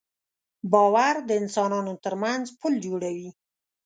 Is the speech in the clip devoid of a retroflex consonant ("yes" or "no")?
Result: no